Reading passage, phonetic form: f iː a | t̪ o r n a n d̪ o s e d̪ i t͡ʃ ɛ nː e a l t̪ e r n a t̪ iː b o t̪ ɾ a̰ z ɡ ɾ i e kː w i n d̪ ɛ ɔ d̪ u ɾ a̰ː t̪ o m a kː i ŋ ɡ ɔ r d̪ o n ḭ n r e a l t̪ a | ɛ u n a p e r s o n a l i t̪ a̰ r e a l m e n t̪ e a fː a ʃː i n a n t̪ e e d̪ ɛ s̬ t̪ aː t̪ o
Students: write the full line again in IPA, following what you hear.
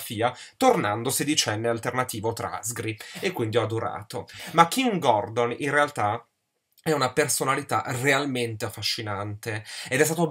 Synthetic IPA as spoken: f iː a | t̪ o r n a n d̪ o s e d̪ i t͡ʃ ɛ nː e a l t̪ e r n a t̪ iː v o t̪ ɾ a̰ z ɡ ɾ i e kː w i n d̪ i ɔ d̪ u ɾ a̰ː t̪ o m a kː i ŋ ɡ ɔ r d̪ o n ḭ n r e a l t̪ a | ɛ u n a p e r s o n a l i t̪ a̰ r e a l m e n t̪ e a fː a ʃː i n a n t̪ e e d̪ ɛ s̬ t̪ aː t̪ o